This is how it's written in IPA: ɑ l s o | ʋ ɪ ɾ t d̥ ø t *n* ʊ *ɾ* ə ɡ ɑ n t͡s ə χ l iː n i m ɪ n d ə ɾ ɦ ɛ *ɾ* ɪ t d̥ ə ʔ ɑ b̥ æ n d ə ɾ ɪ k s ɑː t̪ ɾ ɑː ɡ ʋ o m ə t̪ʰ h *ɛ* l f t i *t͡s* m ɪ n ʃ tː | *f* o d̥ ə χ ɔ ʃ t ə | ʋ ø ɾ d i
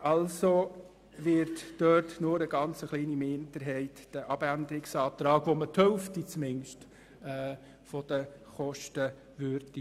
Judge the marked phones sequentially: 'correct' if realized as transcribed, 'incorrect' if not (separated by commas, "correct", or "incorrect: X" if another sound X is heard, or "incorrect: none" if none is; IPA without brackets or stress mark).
correct, correct, incorrect: none, incorrect: œ, correct, correct